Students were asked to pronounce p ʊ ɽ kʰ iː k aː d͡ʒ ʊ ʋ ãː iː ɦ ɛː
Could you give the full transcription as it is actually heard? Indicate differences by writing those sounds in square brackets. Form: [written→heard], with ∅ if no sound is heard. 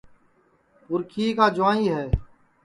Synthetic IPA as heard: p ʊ [ɽ→ɾ] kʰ iː k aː d͡ʒ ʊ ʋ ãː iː ɦ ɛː